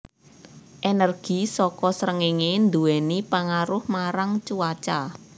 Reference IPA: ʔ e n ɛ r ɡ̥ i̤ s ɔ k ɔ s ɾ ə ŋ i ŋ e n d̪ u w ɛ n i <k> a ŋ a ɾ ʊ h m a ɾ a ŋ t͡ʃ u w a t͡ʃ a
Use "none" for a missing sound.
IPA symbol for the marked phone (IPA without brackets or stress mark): p